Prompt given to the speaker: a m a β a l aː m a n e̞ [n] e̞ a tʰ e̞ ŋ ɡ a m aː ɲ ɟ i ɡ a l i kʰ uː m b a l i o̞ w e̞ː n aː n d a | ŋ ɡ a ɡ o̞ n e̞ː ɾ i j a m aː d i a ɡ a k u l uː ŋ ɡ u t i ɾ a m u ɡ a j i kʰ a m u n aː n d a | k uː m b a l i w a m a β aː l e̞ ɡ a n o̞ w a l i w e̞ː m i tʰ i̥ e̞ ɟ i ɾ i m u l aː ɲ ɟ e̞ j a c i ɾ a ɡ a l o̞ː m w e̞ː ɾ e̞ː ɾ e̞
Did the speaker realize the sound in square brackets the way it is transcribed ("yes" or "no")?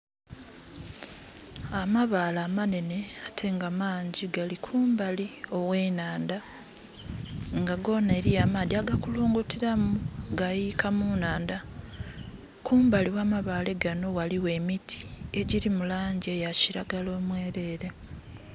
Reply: yes